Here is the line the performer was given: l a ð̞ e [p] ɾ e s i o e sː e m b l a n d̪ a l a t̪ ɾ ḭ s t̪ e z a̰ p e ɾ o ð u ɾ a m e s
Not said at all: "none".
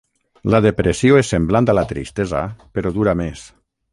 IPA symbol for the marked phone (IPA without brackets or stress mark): p